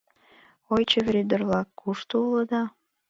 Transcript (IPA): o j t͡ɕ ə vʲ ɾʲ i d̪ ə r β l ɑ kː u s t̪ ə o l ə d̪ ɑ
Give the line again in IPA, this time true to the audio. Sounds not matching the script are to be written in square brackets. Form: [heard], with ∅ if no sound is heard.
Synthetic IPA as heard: o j t͡ɕ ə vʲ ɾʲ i d̪ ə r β l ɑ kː u [ʃ] t̪ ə [u] l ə d̪ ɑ